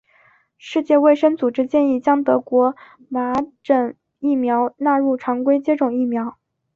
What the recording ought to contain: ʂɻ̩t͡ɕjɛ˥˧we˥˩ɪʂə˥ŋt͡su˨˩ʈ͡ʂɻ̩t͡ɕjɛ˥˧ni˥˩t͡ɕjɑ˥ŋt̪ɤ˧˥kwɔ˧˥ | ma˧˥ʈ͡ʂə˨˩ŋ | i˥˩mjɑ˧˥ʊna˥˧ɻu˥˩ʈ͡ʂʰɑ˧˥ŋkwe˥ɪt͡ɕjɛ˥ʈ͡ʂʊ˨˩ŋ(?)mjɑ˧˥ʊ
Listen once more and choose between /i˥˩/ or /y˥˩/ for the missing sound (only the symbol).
i˥˩